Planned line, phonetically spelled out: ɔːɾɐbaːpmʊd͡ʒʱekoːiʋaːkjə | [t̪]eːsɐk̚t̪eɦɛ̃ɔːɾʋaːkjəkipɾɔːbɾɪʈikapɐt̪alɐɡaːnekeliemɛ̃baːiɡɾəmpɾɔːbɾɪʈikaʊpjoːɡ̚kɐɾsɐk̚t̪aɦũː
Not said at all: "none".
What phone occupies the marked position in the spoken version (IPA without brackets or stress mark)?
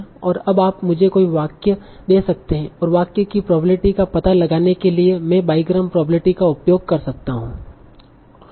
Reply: d̪